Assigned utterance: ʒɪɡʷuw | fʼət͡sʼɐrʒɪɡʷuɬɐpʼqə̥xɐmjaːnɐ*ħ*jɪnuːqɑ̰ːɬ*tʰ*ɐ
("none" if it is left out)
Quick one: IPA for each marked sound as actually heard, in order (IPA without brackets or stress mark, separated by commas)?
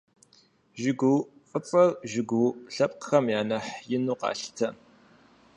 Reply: ħ, tʰ